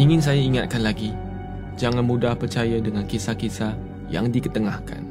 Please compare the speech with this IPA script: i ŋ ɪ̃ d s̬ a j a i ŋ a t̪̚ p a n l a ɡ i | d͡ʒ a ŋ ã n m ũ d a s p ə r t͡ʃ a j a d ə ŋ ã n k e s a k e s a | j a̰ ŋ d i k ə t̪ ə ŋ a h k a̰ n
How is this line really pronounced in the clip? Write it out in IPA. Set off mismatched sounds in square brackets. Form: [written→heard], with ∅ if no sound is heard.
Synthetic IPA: i ŋ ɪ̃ [d→n] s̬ a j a i ŋ a t̪̚ [p→k] a n l a ɡ i | d͡ʒ a ŋ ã n m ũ d a [s→h] p ə r t͡ʃ a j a d ə ŋ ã n k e s a k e s a | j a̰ ŋ d i k ə t̪ ə ŋ a h k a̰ n